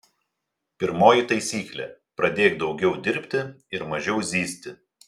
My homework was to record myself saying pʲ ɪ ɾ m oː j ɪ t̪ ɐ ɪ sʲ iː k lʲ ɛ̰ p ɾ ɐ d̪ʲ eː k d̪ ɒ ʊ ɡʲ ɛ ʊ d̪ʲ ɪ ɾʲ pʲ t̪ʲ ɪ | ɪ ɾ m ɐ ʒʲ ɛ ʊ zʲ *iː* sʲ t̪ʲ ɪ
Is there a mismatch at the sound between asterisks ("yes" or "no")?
no